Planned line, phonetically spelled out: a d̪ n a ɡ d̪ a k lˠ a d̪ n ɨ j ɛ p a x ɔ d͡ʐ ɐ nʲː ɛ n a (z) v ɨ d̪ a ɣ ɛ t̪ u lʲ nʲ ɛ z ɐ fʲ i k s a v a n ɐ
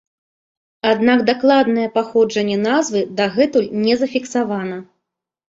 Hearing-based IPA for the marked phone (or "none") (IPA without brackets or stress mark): z